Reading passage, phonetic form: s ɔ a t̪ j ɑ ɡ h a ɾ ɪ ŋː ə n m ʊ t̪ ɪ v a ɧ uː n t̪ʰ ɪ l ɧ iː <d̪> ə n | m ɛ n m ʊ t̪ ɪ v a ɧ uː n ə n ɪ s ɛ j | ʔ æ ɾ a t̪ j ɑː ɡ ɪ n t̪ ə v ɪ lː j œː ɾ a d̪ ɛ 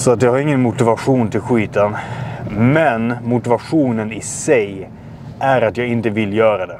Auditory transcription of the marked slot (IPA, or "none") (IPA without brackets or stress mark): t̪